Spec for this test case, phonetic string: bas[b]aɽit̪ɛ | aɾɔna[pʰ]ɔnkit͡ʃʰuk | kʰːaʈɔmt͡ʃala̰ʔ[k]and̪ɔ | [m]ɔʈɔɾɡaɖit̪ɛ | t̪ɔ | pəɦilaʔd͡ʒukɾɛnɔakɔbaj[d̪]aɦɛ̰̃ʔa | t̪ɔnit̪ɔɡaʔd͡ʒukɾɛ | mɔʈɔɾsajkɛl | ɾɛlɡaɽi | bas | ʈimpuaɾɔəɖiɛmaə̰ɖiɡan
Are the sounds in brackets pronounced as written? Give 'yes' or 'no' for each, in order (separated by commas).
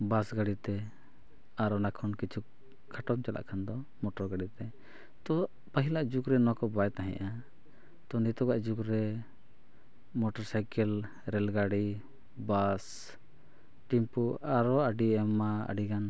no, no, no, yes, no